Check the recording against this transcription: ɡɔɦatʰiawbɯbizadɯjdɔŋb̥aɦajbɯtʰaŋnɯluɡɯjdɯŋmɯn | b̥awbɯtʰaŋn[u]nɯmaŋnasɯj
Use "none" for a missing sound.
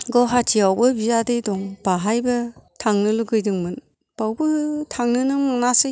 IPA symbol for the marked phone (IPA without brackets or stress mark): ɯ